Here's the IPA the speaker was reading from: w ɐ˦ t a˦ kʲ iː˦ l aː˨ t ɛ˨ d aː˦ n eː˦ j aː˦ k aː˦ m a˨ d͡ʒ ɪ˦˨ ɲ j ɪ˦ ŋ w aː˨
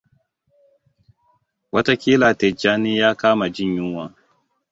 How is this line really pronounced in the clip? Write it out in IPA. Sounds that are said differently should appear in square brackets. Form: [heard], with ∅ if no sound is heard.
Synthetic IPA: w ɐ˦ t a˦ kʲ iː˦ l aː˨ t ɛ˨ [d͡ʒ] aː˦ n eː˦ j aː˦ k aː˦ m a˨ d͡ʒ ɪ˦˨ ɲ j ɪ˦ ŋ w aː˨

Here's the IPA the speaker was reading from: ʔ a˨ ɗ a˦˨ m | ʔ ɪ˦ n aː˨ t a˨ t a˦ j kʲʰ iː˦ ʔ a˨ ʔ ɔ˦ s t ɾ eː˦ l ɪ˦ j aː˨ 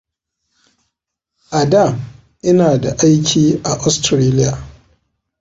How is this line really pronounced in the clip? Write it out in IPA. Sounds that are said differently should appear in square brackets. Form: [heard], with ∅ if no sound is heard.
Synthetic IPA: ʔ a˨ [d] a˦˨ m | ʔ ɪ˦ n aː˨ [d] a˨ [ʔ] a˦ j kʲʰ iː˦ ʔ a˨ ʔ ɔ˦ s t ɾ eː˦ l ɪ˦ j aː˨

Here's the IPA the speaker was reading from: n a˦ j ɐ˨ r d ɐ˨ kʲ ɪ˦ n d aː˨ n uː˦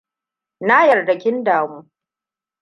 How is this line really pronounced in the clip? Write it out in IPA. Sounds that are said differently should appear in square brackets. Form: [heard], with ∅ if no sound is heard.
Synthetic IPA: n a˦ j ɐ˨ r d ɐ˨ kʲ ɪ˦ n d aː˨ [m] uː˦

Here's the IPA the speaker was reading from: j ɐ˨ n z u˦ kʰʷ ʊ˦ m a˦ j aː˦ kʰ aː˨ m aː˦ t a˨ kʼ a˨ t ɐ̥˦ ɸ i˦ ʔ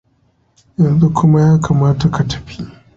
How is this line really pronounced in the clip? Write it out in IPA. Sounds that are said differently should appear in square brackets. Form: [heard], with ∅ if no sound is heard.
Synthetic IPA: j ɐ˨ n z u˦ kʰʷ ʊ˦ m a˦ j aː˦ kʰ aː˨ m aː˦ t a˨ [k] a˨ t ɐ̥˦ ɸ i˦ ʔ

